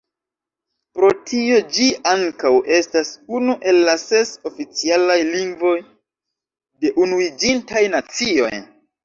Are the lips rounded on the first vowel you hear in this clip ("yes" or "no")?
yes